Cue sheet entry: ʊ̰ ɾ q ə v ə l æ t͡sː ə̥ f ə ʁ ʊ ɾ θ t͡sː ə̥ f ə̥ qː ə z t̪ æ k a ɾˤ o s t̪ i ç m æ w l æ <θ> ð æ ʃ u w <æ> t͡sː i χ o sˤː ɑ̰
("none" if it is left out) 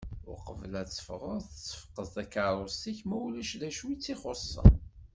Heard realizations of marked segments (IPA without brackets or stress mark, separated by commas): ʃ, i